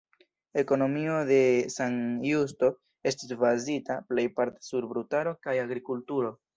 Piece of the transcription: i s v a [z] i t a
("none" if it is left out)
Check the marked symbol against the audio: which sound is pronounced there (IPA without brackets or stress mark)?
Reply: z